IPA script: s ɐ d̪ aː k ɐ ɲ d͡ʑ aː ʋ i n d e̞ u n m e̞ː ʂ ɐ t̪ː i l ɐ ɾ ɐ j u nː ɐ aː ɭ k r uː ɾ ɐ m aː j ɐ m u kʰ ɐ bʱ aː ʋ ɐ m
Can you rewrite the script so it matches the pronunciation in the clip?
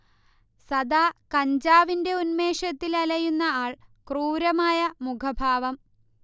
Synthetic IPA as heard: s ɐ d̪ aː k ɐ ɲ d͡ʑ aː ʋ i n d e̞ u n m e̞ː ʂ ɐ t̪ː i l ɐ l ɐ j u nː ɐ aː ɭ k r uː ɾ ɐ m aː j ɐ m u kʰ ɐ bʱ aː ʋ ɐ m